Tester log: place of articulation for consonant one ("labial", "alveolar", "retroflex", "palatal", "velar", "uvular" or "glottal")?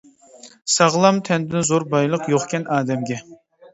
alveolar